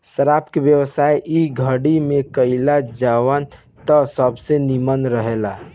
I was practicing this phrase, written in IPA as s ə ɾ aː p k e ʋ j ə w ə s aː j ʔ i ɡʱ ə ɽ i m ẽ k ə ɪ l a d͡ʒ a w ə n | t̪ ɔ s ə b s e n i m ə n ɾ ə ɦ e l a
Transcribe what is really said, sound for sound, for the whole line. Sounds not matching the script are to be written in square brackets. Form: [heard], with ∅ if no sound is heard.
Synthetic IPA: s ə ɾ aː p k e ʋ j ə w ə s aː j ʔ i ɡʱ ə ɽ i m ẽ k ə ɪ l a d͡ʒ a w ə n | t̪ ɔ s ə b s e n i m ə n ɾ ə ɦ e l a